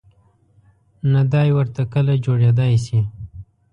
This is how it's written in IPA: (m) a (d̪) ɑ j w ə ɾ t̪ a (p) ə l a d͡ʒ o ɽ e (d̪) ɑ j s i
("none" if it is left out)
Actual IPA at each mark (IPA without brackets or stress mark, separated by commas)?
n, d̪, k, d̪